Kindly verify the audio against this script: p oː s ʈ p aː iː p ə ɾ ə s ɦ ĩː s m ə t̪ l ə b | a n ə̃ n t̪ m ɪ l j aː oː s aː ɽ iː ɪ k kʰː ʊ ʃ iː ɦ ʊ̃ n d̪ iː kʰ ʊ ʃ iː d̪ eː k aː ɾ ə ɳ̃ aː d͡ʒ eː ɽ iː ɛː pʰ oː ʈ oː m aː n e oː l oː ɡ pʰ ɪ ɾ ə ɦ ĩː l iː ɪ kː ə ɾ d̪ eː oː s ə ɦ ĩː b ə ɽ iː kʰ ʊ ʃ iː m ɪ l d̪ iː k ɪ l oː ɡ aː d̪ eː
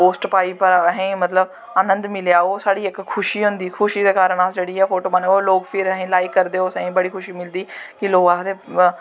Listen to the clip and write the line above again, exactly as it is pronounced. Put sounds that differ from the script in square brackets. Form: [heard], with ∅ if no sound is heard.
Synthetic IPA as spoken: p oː s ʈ p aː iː p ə ɾ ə [∅] ɦ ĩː [∅] m ə t̪ l ə b | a n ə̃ n [d̪] m ɪ l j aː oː s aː ɽ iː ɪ k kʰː ʊ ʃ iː ɦ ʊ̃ n d̪ iː kʰ ʊ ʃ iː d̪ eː k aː ɾ ə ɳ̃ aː d͡ʒ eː ɽ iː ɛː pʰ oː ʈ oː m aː n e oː l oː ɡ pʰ ɪ ɾ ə ɦ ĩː l [aː] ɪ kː ə ɾ d̪ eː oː s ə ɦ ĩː b ə ɽ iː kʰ ʊ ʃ iː m ɪ l d̪ iː k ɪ l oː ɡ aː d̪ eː